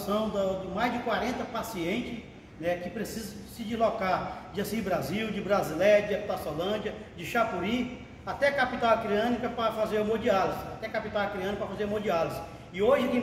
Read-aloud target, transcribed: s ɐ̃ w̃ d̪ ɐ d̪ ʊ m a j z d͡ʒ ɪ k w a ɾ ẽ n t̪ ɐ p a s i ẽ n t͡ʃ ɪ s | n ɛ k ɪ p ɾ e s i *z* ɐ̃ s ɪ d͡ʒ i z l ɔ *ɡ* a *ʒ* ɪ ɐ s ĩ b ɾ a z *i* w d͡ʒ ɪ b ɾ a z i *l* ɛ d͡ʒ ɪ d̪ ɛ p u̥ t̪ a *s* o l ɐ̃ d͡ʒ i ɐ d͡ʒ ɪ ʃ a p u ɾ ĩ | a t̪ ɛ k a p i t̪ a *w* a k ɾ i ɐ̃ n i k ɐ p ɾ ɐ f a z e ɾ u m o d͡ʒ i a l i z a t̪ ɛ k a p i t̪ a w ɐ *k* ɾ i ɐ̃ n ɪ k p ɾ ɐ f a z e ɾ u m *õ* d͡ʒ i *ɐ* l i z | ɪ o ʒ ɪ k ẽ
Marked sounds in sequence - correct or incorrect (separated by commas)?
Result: correct, incorrect, incorrect, correct, correct, correct, correct, correct, incorrect, incorrect